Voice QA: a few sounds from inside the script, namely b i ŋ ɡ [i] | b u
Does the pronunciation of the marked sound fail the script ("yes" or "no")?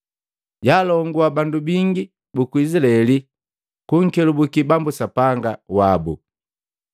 no